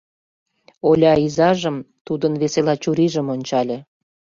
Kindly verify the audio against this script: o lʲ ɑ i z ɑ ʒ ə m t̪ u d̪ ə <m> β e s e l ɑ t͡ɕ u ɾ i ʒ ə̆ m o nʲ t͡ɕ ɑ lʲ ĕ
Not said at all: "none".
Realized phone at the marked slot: n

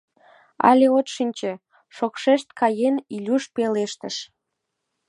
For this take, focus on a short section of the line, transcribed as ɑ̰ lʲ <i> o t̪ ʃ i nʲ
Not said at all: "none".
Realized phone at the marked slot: e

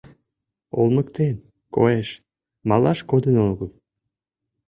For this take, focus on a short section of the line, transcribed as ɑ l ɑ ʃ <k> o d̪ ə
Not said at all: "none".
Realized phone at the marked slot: k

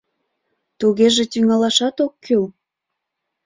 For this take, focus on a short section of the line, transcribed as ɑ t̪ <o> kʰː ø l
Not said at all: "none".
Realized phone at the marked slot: o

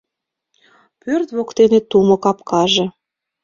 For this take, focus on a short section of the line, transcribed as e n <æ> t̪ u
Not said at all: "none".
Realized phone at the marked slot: e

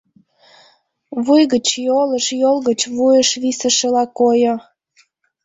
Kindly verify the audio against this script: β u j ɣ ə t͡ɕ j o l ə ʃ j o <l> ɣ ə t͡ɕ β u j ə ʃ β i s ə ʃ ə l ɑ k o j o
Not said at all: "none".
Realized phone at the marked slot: l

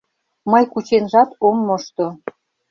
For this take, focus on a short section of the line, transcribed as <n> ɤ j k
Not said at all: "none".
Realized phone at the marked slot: m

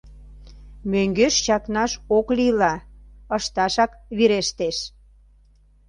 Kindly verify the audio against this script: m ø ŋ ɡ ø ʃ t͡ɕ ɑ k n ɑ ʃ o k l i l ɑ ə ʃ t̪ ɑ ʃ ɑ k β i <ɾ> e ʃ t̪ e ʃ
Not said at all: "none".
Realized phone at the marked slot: ɾ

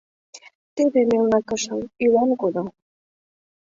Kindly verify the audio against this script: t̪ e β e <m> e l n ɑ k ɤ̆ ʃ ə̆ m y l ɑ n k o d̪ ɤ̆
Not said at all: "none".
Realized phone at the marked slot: m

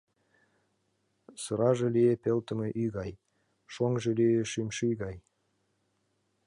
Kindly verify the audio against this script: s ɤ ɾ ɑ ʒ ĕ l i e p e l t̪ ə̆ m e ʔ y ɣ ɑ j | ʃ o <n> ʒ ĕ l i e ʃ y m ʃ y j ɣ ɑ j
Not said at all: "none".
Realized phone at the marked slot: ŋ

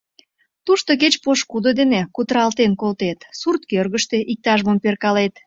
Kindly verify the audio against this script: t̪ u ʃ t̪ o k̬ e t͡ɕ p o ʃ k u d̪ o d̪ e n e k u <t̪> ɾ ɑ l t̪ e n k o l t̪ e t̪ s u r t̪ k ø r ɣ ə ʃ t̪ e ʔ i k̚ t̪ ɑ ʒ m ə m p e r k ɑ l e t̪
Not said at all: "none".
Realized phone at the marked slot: t̪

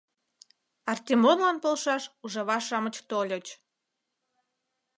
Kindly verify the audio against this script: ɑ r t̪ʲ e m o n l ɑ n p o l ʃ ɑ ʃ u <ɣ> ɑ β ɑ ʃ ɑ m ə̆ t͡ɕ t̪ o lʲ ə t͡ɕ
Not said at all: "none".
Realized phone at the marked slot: ʒ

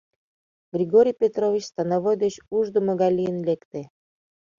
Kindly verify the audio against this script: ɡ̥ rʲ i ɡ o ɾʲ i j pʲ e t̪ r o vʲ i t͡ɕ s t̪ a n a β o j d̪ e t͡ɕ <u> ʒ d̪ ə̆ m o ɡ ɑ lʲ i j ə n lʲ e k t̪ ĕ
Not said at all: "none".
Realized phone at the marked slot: u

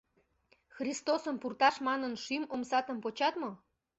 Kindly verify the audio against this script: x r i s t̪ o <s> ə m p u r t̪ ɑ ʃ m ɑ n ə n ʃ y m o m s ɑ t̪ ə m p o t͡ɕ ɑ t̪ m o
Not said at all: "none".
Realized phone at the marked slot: s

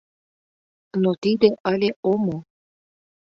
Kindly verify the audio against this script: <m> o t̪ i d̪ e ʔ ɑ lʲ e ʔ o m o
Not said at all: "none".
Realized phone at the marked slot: n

